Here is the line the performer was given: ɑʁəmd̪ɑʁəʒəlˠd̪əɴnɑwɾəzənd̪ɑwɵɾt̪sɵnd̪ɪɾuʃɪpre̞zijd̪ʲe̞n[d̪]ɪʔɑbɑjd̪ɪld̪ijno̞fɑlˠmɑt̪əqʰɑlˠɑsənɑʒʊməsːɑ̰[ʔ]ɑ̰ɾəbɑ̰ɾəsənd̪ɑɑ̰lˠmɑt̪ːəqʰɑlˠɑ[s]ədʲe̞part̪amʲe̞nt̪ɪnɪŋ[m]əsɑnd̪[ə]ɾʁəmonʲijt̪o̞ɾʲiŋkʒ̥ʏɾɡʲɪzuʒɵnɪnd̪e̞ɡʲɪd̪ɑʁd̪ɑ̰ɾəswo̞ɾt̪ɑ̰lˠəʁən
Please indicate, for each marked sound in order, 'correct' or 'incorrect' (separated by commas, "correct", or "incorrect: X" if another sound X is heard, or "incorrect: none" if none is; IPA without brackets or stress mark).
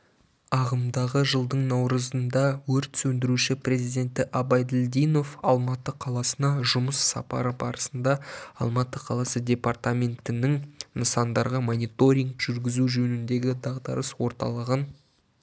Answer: incorrect: t̪, incorrect: p, correct, incorrect: n, incorrect: ɑ